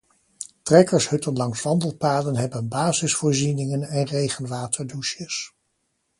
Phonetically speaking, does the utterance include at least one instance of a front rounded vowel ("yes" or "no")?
no